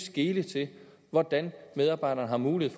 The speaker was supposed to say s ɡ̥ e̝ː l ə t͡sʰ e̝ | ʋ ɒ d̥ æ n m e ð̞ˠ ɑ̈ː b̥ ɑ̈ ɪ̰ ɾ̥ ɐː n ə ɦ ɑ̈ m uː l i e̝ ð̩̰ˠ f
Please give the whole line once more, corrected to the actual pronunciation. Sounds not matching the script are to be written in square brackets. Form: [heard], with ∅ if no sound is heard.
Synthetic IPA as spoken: s ɡ̥ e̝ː l ə t͡sʰ e̝ | ʋ ɒ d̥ æ n m e ð̞ˠ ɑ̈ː b̥ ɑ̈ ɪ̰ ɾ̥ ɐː n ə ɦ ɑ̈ m uː l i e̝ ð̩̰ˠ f